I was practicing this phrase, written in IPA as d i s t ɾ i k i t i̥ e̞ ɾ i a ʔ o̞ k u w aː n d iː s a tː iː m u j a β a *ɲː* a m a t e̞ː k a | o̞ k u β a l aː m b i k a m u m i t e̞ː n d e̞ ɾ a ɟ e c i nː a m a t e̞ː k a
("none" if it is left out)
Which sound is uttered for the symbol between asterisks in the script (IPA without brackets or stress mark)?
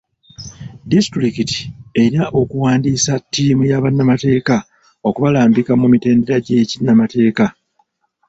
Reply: nː